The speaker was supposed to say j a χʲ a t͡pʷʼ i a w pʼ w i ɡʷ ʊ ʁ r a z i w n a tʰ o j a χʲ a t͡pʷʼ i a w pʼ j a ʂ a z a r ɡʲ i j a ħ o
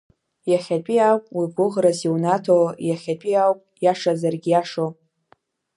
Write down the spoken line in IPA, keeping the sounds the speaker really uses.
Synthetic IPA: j a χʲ a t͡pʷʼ i a w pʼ w i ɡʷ ʊ ʁ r a z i w n a tʰ o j a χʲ a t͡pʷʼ i a w pʼ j a ʂ a z a r ɡʲ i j a ʂ o